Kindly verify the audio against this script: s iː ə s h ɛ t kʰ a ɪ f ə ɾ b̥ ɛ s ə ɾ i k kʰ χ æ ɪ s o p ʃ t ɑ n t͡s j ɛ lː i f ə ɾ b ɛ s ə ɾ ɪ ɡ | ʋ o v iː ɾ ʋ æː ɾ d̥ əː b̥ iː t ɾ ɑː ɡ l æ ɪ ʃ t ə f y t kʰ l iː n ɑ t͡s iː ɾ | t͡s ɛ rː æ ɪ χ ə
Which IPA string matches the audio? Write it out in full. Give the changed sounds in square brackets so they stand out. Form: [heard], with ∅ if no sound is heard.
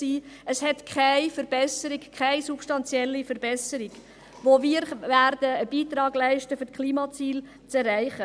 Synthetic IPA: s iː ə s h ɛ t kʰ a ɪ f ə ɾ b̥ ɛ s ə ɾ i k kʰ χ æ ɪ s [u] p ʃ t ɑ n t͡s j ɛ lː i f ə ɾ b ɛ s ə ɾ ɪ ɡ | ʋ o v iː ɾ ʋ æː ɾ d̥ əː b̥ iː t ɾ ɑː ɡ l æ ɪ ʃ t ə f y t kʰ l iː [m] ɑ t͡s iː [l] | t͡s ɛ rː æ ɪ χ ə